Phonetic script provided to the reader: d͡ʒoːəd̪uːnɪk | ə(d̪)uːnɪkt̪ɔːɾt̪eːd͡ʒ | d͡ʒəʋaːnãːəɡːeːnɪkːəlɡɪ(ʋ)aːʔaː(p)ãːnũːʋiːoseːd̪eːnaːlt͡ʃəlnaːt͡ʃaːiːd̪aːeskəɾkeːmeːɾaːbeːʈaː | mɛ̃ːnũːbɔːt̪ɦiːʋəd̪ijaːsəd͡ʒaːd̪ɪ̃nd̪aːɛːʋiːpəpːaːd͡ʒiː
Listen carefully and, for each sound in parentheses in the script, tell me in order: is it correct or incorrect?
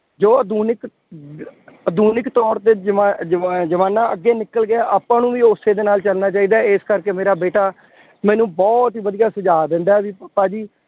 correct, incorrect, correct

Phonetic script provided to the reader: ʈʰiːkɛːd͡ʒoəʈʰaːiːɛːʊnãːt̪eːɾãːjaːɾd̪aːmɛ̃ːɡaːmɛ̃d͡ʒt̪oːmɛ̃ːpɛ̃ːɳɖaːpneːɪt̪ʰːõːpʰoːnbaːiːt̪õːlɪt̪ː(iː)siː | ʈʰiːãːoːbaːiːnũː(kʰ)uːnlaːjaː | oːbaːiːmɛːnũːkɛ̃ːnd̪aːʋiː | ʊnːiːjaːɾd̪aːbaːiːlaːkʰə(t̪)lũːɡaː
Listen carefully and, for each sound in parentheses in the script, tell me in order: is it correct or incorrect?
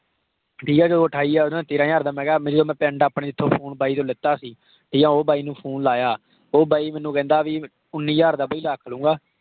incorrect, incorrect, incorrect

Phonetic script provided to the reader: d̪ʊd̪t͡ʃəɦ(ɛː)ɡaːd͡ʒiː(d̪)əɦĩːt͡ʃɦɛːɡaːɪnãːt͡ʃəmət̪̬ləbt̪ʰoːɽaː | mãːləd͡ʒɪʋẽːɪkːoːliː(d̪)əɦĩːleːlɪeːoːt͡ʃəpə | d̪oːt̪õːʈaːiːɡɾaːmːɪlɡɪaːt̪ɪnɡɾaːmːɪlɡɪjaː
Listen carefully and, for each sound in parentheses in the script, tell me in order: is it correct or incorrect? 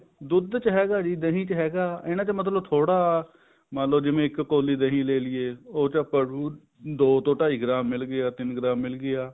correct, correct, correct

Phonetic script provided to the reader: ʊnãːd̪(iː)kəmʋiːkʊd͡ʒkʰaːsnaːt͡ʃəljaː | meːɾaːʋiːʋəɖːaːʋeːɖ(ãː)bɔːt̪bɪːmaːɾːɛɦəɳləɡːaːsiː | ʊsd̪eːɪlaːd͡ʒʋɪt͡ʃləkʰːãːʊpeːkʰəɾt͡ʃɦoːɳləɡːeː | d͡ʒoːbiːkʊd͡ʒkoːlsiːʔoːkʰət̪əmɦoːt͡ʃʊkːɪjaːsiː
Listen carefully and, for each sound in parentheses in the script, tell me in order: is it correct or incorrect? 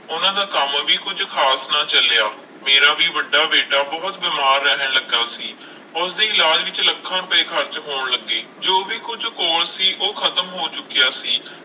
incorrect, incorrect

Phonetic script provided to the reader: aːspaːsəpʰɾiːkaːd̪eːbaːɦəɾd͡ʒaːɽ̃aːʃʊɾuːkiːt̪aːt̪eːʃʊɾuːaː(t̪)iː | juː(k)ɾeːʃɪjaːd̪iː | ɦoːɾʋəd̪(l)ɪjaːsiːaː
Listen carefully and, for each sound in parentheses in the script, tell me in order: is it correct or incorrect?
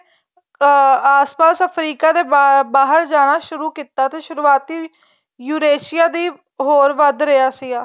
correct, incorrect, incorrect

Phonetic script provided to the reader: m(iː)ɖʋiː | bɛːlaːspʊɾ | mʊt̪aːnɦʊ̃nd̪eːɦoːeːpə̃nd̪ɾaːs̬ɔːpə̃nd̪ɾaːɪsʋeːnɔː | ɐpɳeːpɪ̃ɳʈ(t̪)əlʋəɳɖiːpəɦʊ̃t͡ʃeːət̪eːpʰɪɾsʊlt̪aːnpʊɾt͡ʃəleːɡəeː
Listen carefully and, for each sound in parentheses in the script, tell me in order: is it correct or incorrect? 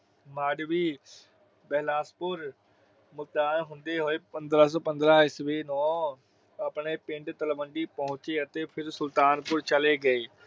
incorrect, correct

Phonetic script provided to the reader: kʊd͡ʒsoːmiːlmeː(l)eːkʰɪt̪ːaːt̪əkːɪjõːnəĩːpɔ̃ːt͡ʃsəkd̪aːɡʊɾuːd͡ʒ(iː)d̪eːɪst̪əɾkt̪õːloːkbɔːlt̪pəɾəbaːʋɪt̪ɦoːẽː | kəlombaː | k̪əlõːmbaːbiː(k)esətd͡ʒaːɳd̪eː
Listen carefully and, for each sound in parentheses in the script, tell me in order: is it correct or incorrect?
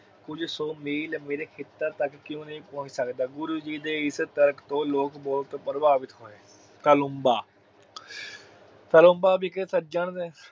incorrect, correct, correct

